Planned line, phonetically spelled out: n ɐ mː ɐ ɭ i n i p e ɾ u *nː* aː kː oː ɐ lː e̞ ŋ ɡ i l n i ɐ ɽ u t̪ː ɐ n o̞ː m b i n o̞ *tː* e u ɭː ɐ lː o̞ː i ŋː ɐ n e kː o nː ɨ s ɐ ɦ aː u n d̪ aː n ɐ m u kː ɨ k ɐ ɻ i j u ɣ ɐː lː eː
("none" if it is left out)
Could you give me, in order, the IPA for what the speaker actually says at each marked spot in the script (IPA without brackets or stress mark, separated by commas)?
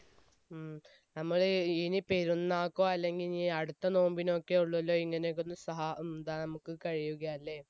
nː, kː